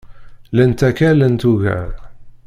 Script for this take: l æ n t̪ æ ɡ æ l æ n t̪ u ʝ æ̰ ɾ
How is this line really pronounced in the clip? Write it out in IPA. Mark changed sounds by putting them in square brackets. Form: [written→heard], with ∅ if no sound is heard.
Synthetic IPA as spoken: l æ n t̪ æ [ɡ→k] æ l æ n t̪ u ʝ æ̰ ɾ